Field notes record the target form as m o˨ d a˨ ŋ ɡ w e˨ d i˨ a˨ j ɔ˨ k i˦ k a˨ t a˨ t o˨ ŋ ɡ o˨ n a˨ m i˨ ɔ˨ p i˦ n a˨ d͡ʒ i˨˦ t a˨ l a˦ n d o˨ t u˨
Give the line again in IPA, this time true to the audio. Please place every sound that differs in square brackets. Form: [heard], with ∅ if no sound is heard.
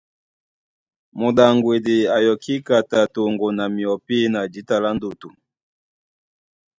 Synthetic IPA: m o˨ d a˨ ŋ ɡ w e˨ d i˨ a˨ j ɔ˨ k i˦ k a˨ t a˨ t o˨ ŋ ɡ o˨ n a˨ m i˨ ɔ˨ p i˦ n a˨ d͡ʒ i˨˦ t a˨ l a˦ n d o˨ t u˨